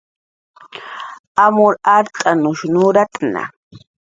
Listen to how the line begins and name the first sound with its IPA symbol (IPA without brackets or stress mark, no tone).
a